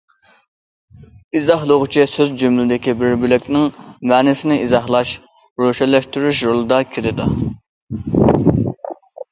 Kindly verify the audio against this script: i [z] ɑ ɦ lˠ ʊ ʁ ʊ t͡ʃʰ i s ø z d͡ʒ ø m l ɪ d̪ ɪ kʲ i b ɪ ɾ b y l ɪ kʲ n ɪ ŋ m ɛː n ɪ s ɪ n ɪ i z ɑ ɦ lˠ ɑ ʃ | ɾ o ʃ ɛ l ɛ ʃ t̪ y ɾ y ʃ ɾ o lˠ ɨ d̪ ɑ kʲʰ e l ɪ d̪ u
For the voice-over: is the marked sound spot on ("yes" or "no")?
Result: yes